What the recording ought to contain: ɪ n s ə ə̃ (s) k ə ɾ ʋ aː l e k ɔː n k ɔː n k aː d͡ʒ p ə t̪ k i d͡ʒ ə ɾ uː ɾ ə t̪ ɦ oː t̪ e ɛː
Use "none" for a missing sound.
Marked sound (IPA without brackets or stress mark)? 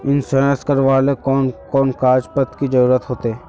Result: s